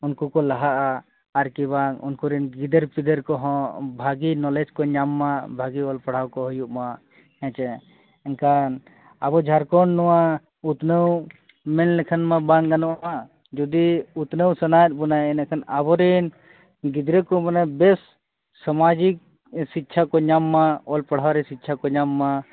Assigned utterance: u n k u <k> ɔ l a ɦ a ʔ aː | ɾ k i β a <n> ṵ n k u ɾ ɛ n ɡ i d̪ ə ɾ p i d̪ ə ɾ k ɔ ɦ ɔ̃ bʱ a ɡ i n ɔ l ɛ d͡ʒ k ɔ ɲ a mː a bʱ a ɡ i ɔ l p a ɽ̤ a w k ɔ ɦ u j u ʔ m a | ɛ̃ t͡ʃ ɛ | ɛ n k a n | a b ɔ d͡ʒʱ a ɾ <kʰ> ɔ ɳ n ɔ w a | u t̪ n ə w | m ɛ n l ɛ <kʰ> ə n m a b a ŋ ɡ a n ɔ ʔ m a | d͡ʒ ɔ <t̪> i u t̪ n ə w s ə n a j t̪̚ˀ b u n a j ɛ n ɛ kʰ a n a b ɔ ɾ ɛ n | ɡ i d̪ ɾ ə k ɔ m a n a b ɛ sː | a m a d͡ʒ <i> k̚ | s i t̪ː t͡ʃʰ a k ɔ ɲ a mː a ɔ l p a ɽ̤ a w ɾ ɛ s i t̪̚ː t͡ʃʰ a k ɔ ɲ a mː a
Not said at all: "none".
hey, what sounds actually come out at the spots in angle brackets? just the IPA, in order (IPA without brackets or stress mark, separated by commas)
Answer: k, ŋ, k, kʰ, d̪, i